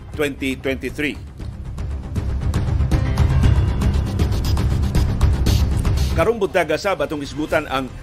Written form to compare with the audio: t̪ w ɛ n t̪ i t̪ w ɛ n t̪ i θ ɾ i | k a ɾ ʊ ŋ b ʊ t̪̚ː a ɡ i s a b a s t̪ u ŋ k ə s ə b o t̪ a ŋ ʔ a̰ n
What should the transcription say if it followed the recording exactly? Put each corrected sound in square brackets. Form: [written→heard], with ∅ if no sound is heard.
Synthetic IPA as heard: t̪ w ɛ n t̪ i t̪ w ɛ n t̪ i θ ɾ i | k a ɾ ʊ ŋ b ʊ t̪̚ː a ɡ [i→a] s a b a [s→∅] t̪ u ŋ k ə s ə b [o→u] t̪ a [ŋ→n] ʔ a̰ [n→ŋ]